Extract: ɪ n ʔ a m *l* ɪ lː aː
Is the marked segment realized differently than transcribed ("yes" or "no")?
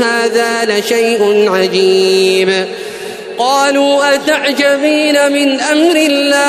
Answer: yes